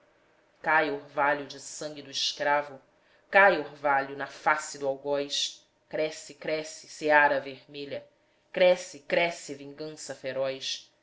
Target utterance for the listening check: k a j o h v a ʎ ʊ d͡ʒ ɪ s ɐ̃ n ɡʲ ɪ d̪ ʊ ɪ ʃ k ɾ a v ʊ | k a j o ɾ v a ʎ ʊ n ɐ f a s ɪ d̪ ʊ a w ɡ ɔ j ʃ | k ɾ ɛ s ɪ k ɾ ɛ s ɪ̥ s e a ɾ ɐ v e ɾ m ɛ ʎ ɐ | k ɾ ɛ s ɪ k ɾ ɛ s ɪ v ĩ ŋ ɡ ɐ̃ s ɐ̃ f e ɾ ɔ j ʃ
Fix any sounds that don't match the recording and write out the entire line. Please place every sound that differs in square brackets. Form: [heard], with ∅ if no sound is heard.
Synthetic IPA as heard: k a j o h v a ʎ ʊ d͡ʒ ɪ s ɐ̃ [ŋ] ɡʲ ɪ d̪ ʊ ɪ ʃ k ɾ a v ʊ | k a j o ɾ v a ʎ ʊ n ɐ f a s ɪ d̪ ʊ a w ɡ ɔ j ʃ | k ɾ ɛ s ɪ k ɾ ɛ s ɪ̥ s e a ɾ ɐ v e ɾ m [e] ʎ ɐ | k ɾ ɛ s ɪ k ɾ ɛ s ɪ v ĩ ŋ ɡ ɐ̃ s [ɐ] f e ɾ ɔ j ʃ